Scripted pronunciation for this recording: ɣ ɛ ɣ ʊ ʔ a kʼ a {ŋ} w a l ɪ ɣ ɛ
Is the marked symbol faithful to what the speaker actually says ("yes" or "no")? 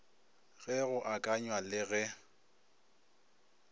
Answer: no